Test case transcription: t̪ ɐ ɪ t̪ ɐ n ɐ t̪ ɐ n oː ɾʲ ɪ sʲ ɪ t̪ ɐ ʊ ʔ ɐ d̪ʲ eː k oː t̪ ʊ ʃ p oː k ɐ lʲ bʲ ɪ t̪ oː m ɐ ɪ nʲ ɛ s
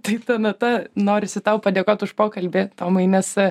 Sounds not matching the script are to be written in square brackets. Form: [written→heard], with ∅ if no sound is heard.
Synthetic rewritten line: t̪ ɐ ɪ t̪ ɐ n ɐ t̪ ɐ n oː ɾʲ ɪ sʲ ɪ t̪ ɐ ʊ [ʔ→p] ɐ d̪ʲ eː k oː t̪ ʊ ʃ p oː k ɐ lʲ bʲ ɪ t̪ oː m ɐ ɪ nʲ ɛ s